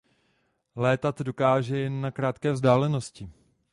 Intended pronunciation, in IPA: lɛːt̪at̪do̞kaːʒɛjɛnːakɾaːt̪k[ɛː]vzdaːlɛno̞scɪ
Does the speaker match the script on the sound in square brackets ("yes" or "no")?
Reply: yes